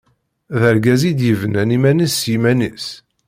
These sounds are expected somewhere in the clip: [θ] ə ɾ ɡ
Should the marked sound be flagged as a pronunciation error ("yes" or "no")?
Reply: yes